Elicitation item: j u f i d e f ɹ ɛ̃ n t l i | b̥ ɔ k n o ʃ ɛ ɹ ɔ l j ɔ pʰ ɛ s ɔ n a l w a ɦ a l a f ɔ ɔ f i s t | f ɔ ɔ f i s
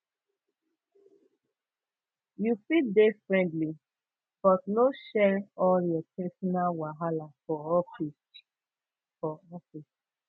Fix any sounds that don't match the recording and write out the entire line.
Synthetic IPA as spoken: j u f i d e f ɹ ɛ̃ n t l i | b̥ ɔ t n o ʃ ɛ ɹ ɔ l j ɔ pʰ ɛ s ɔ n a l w a ɦ a l a f ɔ ɔ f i s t | f ɔ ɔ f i s

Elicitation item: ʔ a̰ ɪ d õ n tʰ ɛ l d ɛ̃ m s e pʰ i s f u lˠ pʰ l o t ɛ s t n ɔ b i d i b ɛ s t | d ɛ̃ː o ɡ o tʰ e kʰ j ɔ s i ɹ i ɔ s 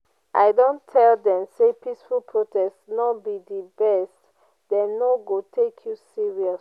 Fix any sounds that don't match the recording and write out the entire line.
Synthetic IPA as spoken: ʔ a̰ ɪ d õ n tʰ ɛ l d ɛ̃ m s e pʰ i s f u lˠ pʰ ɹ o t ɛ s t n ɔ b i d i b ɛ s t | d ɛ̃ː o ɡ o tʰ e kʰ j u s i ɹ i ɔ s

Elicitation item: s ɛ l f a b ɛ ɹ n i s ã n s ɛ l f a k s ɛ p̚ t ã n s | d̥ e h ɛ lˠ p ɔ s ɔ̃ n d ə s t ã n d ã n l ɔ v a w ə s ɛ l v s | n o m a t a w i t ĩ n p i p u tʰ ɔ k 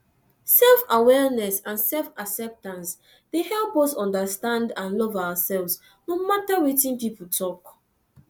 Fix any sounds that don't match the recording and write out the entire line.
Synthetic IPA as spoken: s ɛ l f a w ɛ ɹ n ɛ s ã n s ɛ l f a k s ɛ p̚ t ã n s | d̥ e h ɛ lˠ p ɔ s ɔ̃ n d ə s t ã n d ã n l ɔ v a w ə s ɛ l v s | n o m a t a w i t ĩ n p i p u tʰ ɔ k

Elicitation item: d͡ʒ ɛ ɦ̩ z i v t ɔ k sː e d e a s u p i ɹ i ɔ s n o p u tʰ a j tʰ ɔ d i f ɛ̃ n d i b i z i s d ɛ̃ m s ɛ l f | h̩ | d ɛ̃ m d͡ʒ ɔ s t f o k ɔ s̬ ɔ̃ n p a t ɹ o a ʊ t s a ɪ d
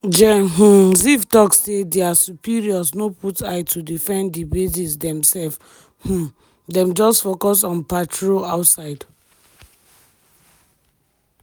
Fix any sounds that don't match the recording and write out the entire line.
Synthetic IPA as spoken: d͡ʒ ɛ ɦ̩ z i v t ɔ k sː e d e a s u p i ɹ i ɔ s n o p u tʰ a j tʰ u d i f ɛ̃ n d i b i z i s d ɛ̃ m s ɛ l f | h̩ | d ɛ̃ m d͡ʒ ɔ s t f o k ɔ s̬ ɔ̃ n p a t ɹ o a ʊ t s a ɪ d

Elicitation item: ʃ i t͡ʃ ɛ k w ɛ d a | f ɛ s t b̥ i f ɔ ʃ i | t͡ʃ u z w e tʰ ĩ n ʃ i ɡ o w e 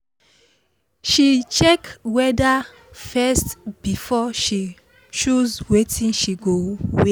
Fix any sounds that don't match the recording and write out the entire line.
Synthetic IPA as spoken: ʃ i t͡ʃ ɛ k w ɛ d a | f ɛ s t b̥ i f ɔ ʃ i | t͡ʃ u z w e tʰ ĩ n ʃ i ɡ o w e

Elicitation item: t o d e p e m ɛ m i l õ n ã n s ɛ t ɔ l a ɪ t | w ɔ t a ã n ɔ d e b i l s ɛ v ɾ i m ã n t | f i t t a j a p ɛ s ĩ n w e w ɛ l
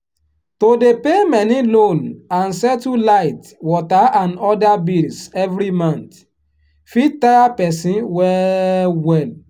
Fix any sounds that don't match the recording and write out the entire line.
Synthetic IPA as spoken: t o d e p e m ɛ n i l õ n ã n s ɛ t u l a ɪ t | w ɔ t a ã n ɔ d a b i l s ɛ v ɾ i m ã n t | f i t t a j a p ɛ s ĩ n w ɛ w ɛ l

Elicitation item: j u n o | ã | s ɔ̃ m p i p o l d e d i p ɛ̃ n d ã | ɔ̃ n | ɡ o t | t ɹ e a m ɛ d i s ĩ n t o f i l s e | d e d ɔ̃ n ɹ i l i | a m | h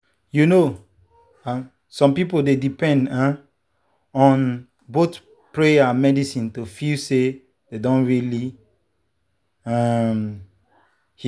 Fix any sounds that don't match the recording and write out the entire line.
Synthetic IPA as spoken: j u n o | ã | s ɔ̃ m p i p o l d e d i p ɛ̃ n d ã | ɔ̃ n | b o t | p ɹ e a m ɛ d i s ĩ n t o f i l s e | d e d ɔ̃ n ɹ i l i | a m | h

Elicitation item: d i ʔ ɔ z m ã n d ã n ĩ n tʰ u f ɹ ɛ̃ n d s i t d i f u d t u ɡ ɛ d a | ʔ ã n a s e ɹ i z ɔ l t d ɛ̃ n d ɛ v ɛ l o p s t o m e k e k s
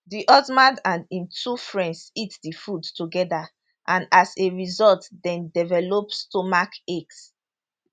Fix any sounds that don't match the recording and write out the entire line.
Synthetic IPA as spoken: d i ʔ ɔ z m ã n d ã n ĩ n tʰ u f ɹ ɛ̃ n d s i t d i f u d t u ɡ ɛ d a | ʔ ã n a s e ɹ i z ɔ l t d ɛ̃ n d ɛ v ɛ l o p s t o m a k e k s

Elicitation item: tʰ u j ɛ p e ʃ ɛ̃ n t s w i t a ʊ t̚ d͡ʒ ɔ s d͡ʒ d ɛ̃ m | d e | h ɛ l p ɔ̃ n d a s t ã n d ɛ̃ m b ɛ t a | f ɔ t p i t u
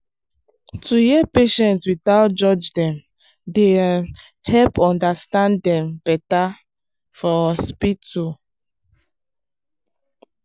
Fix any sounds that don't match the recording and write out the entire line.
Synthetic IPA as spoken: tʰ u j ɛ p e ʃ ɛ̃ n t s w i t a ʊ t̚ d͡ʒ ɔ d͡ʒ d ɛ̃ m | d e | h ɛ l p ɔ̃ n d a s t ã n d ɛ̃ m b ɛ t a | f ɔ s p i t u

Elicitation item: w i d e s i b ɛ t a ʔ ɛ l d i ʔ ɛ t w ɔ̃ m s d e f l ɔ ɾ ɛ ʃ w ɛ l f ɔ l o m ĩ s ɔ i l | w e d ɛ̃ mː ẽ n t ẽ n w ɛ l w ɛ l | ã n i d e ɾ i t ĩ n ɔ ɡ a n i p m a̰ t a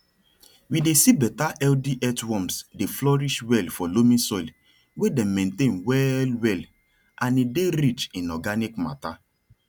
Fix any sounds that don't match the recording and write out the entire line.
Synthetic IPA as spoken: w i d e s i b ɛ t a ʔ ɛ l d i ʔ ɛ t w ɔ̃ m s d e f l ɔ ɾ i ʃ w ɛ l f ɔ l o m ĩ s ɔ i l | w e d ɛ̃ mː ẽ n t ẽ n w ɛ l w ɛ l | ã n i d e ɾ i t͡ʃ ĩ n ɔ ɡ a n i k m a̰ t a

